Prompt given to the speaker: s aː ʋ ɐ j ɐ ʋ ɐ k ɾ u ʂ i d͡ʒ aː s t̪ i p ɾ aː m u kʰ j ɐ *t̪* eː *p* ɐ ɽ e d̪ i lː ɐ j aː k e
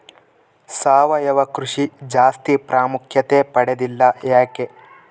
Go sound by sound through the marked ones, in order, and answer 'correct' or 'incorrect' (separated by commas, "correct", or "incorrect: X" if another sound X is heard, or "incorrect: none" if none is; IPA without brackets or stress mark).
correct, correct